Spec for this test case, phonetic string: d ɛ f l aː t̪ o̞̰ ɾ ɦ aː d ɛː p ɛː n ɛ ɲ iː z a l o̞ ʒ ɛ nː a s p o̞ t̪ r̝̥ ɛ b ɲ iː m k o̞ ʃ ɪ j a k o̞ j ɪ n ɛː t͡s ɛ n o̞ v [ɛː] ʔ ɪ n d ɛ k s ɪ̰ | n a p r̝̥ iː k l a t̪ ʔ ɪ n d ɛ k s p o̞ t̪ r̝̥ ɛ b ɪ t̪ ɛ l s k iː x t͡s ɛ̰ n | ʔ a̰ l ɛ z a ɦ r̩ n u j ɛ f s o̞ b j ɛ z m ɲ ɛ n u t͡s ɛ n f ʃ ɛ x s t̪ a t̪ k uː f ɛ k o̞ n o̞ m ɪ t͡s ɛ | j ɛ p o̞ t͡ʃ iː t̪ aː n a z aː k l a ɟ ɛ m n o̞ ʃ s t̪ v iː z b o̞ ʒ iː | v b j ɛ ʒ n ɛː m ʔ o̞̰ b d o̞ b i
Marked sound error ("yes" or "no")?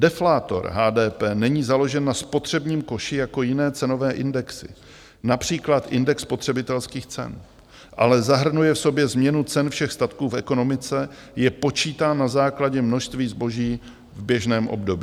no